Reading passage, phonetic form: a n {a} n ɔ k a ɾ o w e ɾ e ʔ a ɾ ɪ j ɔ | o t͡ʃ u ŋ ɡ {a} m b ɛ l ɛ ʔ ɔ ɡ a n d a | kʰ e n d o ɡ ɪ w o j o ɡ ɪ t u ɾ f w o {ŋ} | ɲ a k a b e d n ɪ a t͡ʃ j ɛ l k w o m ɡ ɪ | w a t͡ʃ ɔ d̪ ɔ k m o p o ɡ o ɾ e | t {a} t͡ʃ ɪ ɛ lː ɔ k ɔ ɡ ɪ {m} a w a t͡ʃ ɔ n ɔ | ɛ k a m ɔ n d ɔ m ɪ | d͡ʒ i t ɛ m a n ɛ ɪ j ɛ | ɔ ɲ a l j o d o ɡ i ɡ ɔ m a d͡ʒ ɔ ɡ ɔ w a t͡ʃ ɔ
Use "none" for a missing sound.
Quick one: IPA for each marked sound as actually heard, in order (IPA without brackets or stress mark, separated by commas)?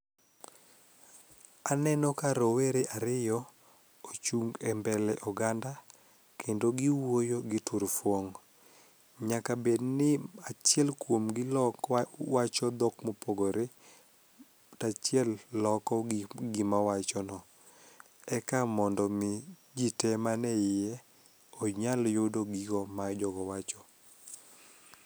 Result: ɛ, ɛ, ŋ, a, m